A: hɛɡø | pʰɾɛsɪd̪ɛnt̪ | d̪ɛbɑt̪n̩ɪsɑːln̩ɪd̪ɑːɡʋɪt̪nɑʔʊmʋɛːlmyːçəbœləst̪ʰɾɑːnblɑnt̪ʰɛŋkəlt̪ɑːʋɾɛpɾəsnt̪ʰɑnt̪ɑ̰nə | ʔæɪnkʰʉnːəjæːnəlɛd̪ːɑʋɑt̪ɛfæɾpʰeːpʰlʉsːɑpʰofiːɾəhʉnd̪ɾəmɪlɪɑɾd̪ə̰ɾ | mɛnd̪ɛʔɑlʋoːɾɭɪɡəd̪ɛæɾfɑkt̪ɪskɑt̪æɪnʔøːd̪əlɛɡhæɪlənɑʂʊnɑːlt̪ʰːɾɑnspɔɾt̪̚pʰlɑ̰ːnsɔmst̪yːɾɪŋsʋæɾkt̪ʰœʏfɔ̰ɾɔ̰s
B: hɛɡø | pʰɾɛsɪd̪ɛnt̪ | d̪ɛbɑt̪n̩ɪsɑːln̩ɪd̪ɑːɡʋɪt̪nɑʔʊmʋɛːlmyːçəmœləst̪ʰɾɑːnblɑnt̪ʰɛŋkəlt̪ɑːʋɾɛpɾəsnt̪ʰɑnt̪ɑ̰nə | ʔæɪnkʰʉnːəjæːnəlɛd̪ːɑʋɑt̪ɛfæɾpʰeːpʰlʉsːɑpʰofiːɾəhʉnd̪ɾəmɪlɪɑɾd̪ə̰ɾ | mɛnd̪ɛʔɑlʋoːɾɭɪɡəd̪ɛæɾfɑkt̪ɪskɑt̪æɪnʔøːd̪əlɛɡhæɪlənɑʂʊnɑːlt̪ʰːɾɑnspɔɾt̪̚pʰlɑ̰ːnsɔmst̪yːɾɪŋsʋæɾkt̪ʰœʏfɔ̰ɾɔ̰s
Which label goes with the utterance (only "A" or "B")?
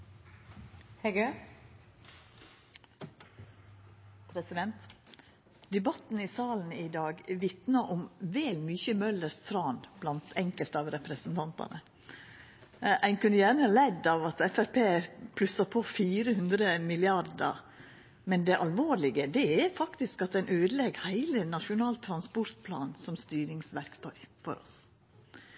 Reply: B